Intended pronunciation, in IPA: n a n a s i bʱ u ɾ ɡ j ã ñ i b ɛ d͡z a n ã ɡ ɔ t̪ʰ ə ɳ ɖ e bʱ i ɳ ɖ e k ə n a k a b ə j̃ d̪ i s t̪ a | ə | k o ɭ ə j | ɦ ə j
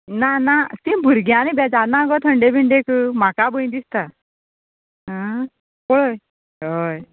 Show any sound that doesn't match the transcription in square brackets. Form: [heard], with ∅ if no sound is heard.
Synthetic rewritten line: n a n a s i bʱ u ɾ ɡ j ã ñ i b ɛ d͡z a n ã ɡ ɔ t̪ʰ ə ɳ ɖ e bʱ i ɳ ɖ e k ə [m] a k a b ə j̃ d̪ i s t̪ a | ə | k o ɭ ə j | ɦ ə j